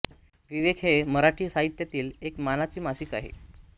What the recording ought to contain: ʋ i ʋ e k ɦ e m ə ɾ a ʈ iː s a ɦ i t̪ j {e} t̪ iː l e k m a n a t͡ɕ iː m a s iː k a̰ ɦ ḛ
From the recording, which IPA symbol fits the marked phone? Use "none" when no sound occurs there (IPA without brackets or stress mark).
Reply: a